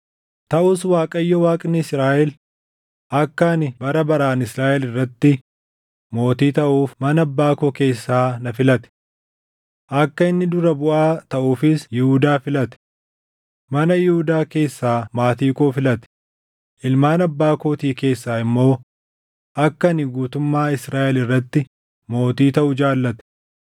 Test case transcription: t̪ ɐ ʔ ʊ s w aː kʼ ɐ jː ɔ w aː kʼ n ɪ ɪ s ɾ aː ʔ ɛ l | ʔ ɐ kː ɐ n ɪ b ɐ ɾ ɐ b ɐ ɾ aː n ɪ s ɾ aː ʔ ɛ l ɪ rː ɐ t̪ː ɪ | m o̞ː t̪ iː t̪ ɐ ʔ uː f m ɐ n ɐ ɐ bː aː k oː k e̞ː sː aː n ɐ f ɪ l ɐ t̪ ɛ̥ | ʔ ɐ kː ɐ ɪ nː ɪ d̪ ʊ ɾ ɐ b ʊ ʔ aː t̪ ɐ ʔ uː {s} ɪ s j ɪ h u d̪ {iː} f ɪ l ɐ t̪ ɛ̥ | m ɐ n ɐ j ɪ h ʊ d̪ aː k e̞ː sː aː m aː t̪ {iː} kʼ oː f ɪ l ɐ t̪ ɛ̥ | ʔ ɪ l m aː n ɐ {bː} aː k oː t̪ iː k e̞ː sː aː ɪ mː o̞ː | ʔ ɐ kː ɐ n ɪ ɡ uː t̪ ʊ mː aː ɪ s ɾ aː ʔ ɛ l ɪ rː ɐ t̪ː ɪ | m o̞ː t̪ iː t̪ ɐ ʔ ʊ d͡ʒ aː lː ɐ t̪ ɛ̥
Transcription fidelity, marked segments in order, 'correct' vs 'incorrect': incorrect: f, incorrect: aː, correct, correct

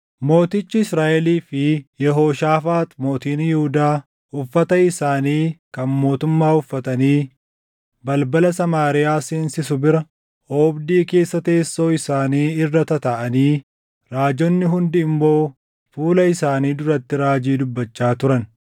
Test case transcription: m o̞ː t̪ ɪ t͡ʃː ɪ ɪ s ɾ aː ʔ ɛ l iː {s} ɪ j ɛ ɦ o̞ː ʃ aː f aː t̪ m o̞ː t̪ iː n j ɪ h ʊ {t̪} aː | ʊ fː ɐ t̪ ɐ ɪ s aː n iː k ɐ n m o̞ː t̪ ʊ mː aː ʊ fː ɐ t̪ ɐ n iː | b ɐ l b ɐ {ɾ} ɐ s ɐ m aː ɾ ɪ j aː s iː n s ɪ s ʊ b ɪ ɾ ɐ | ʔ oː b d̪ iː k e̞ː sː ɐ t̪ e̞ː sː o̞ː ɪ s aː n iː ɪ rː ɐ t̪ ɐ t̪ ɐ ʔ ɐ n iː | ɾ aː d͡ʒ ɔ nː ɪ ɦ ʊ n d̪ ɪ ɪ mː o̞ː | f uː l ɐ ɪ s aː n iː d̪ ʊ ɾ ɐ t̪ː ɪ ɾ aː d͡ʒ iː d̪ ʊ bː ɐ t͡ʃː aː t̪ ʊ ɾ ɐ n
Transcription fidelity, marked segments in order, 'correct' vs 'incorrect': incorrect: f, incorrect: d̪, incorrect: l

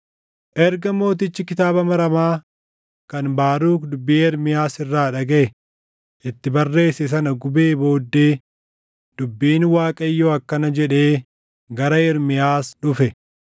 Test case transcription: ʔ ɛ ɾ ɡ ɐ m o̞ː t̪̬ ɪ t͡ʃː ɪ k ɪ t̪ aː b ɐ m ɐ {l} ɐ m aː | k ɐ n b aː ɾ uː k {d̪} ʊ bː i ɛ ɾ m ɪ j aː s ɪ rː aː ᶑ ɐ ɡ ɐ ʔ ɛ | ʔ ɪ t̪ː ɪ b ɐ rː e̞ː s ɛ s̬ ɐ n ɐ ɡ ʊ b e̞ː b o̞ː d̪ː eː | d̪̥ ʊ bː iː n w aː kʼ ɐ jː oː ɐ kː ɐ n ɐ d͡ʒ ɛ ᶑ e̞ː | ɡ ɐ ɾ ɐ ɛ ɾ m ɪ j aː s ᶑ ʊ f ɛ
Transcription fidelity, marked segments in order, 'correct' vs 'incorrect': incorrect: ɾ, correct

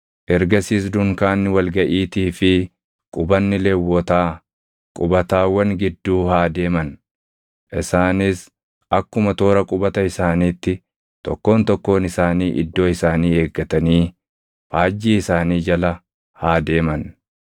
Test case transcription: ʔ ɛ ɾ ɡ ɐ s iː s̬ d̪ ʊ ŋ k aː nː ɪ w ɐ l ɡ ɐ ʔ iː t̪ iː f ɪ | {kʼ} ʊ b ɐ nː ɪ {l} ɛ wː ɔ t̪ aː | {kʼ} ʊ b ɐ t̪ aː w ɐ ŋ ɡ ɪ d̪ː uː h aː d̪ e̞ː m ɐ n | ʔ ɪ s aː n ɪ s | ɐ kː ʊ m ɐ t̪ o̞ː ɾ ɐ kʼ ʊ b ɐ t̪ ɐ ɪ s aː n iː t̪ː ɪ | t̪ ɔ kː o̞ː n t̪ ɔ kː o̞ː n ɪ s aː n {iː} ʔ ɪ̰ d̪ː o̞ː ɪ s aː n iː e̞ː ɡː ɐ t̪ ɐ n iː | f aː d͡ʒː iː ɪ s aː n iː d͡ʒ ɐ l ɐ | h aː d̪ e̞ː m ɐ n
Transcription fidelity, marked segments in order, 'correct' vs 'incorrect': correct, correct, correct, correct

